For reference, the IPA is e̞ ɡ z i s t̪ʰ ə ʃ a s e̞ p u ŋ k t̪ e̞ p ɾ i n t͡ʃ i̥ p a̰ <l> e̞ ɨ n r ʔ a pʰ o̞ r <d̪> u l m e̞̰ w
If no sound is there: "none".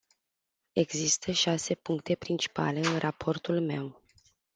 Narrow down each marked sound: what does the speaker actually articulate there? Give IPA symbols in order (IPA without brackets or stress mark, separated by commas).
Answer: l, t̪